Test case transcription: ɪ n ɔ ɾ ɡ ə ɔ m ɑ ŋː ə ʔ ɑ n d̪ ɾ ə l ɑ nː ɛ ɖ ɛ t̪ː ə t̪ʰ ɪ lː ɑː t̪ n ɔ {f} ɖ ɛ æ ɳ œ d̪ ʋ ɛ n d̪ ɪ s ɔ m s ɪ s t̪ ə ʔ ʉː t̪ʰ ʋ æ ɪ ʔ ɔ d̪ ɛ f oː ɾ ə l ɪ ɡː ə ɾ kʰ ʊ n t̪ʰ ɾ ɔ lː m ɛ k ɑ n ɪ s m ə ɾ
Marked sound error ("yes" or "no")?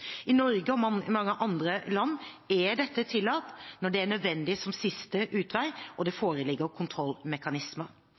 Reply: yes